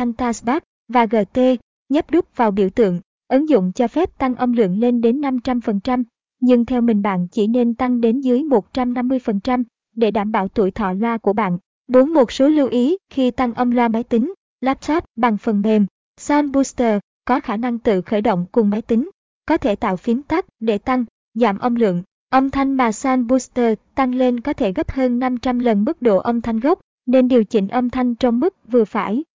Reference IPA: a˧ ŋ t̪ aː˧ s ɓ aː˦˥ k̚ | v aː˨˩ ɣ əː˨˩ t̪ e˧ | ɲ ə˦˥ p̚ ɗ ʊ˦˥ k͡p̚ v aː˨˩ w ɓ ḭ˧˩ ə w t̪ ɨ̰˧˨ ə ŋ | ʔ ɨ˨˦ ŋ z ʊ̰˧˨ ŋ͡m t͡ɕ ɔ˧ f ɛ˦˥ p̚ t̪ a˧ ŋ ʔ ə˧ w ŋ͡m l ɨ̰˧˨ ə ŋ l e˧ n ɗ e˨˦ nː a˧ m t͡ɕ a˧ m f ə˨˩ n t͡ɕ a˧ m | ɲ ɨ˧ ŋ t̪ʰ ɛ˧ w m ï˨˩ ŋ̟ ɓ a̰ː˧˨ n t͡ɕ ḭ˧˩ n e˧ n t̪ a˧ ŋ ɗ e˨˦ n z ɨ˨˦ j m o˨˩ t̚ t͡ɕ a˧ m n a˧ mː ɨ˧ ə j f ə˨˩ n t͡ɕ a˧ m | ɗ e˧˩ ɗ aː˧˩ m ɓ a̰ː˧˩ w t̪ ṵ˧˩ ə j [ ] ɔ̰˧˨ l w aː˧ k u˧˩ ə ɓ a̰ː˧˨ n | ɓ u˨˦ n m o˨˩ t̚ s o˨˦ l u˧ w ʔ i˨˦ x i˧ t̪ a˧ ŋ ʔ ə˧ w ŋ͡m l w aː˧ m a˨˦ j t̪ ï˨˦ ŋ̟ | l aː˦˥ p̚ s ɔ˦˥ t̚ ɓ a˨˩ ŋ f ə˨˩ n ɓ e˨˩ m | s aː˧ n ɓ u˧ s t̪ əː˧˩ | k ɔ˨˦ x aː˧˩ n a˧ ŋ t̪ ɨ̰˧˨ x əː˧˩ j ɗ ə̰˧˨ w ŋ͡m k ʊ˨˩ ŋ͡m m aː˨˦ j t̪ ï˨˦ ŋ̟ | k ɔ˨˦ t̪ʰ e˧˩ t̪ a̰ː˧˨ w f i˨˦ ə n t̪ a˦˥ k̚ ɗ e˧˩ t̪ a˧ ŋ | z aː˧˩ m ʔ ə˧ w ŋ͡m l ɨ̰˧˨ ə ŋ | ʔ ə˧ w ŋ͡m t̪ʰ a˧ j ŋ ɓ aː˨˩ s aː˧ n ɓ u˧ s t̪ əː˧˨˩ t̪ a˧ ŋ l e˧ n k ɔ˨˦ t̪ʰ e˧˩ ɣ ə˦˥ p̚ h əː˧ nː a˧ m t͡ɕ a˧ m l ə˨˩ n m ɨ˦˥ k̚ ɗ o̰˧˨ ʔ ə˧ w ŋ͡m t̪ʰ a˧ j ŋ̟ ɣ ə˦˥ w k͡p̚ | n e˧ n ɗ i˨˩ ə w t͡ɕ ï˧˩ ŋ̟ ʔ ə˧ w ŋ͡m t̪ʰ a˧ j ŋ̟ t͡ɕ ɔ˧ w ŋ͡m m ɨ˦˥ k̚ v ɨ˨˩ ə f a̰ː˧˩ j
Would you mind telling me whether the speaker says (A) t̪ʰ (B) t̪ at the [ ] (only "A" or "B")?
A